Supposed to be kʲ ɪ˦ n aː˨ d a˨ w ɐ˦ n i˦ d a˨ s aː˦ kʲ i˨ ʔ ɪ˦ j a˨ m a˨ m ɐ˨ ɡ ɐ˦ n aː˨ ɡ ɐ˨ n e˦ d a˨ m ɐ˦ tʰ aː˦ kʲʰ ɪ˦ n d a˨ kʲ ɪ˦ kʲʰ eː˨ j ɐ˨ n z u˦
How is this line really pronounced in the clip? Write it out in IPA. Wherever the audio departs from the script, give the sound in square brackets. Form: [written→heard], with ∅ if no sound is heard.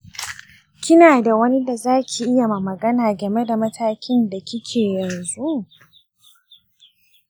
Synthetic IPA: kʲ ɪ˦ n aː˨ d a˨ w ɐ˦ n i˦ d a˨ [s→z] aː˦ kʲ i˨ ʔ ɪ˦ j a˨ m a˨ m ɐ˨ ɡ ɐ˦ n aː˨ ɡ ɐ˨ [n→m] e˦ d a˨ m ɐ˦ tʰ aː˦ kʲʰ ɪ˦ n d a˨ kʲ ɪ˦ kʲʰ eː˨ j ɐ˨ n z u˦